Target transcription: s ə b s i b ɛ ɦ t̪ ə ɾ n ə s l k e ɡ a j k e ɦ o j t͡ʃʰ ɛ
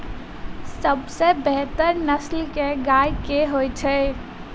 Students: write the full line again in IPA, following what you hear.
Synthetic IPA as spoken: s ə b s e b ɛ ɦ t̪ ə ɾ n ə s l k e ɡ a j k e ɦ o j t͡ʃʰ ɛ

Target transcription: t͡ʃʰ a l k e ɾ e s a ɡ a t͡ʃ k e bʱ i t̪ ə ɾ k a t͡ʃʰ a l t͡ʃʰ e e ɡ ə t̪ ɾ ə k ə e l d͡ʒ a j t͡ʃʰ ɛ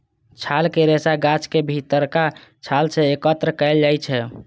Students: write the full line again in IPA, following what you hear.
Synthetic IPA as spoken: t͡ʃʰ a l k e ɾ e s a ɡ a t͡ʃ k e bʱ i t̪ ə ɾ k a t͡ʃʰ a l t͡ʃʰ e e k ə t̪ ɾ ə k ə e l d͡ʒ a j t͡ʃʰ ɛ

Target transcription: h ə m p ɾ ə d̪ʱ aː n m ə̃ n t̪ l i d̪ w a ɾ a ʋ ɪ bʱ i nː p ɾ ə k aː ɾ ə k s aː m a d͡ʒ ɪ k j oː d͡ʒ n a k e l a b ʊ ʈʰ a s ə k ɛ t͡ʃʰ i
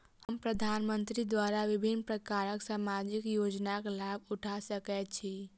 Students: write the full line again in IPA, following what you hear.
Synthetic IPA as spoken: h ə m p ɾ ə d̪ʱ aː n m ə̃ n t̪ ɾ i d̪ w a ɾ a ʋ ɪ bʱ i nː p ɾ ə k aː ɾ ə k s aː m a d͡ʒ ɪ k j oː d͡ʒ n a k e l a b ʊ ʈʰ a s ə k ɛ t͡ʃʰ i

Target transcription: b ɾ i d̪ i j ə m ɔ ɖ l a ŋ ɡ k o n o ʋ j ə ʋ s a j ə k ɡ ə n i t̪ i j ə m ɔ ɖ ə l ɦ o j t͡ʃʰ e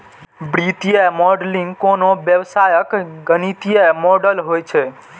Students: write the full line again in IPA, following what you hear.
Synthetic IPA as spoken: b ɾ i t̪ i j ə m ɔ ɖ l i ŋ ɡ k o n o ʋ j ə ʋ s a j ə k ɡ ə n i t̪ i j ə m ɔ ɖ ə l ɦ o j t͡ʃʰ e

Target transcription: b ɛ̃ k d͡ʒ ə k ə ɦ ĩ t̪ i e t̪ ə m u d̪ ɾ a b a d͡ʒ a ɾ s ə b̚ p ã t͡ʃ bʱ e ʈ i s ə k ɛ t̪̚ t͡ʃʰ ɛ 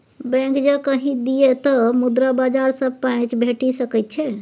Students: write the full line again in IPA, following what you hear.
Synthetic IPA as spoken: b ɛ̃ k d͡ʒ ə k ə ɦ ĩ d̪ i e t̪ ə m u d̪ ɾ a b a d͡ʒ a ɾ s ə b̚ p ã t͡ʃ bʱ e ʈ i s ə k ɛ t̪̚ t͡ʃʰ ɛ

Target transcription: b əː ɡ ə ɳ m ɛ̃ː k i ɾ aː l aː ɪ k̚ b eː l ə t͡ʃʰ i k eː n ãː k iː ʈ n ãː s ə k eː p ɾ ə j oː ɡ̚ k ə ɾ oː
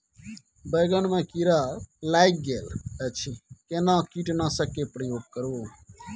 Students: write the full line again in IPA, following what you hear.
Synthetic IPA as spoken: b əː ɡ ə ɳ m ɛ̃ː k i ɾ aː l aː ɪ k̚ ɡ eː l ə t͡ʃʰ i k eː n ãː k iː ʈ n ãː s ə k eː p ɾ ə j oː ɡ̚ k ə ɾ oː

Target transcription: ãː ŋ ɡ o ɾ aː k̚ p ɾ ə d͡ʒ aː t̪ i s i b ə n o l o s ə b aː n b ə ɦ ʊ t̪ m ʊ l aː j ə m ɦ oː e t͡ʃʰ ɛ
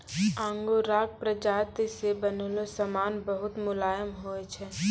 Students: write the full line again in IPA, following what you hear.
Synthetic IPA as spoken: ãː ŋ ɡ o ɾ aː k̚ p ɾ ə d͡ʒ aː t̪ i s e b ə n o l o s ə m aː n b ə ɦ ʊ t̪ m ʊ l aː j ə m ɦ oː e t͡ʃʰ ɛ

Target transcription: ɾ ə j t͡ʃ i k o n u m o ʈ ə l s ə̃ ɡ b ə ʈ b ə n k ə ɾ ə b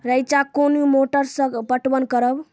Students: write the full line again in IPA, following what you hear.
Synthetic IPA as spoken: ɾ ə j t͡ʃ a k o n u m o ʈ ə ɾ s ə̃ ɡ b ə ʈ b ə n k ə ɾ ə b

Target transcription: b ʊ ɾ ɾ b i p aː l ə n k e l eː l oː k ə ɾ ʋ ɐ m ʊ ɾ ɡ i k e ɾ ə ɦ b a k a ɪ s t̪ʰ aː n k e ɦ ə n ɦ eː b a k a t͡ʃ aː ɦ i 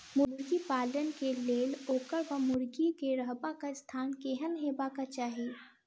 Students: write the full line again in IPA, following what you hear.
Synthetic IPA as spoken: m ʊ ɾ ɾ ɡ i p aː l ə n k e l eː l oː k ə ɾ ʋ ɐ m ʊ ɾ ɡ i k e ɾ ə ɦ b a k a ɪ s t̪ʰ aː n k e ɦ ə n ɦ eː b a k a t͡ʃ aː ɦ i

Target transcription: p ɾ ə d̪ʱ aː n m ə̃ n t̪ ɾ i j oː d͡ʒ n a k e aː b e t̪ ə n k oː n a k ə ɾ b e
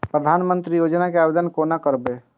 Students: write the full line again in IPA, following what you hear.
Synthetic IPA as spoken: p ɾ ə d̪ʱ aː n m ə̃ n t̪ ɾ i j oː d͡ʒ n a k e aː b e d̪ ə n k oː n a k ə ɾ b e

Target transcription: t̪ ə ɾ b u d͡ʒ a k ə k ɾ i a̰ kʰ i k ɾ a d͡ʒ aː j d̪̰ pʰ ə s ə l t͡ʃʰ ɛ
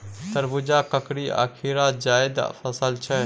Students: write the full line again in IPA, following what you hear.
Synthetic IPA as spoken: t̪ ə ɾ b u d͡ʒ a k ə k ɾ i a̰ kʰ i ɾ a d͡ʒ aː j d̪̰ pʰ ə s ə l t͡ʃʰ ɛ

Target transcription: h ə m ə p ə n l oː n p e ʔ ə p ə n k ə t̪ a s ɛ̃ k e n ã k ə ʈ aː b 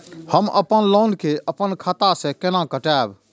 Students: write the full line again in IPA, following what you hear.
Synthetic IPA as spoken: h ə m ə p ə n l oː n k e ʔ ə p ə n kʰ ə t̪ a s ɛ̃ k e n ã k ə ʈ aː b

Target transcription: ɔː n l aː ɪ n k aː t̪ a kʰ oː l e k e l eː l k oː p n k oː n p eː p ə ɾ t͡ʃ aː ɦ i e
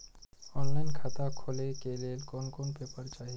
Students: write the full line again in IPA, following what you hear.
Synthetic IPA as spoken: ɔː n l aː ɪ n kʰ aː t̪ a kʰ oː l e k e l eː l k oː n k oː n p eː p ə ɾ t͡ʃ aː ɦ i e

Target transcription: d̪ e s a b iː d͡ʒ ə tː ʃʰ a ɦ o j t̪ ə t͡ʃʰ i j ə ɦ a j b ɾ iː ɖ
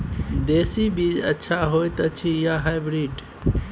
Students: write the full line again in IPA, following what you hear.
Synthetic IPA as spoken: d̪ e s i b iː d͡ʒ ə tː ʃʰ a ɦ o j t̪ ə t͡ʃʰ i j a ɦ a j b ɾ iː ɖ

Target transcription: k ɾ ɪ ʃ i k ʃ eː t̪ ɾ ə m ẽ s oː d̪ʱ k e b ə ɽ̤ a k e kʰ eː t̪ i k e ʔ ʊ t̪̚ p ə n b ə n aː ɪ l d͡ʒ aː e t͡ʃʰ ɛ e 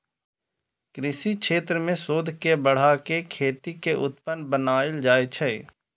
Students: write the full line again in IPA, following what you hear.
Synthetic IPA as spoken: k ɾ ɪ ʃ i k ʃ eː t̪ ɾ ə m ẽ s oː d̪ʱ k e b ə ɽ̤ a k e kʰ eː t̪ i k e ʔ ʊ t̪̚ p ə n b ə n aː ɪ l d͡ʒ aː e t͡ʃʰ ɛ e

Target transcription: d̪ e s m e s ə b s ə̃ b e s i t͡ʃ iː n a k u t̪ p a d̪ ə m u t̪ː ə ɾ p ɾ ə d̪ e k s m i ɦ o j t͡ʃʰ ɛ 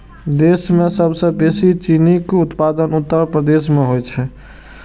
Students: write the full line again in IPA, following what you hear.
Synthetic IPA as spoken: d̪ e s m e s ə b s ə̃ b e s i t͡ʃ i n i k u t̪ p a d̪ ə n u t̪ː ə ɾ p ɾ ə d̪ e s m e ɦ o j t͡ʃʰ ɛ

